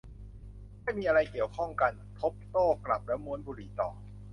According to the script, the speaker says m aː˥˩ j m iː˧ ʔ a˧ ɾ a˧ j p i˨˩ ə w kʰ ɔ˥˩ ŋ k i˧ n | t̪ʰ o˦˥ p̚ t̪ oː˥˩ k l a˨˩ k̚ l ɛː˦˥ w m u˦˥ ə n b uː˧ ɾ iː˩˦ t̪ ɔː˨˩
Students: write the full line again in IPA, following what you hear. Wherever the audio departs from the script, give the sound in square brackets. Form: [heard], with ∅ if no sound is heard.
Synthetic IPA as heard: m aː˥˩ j m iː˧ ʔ a˧ ɾ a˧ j [k] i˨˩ ə w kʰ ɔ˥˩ ŋ k [a˧] n | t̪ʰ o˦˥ p̚ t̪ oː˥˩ k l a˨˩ [p̚] l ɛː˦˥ w m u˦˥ ə n b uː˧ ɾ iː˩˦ t̪ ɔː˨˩